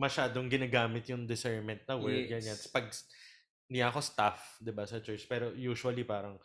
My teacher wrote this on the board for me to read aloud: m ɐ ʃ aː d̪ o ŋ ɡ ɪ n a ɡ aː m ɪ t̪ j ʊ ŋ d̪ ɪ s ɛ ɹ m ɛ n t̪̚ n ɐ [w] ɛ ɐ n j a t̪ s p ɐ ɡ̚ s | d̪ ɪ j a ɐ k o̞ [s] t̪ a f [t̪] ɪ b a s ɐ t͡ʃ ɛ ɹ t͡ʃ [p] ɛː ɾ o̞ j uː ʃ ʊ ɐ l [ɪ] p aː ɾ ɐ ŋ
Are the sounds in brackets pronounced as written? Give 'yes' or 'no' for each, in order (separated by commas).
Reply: yes, yes, no, yes, no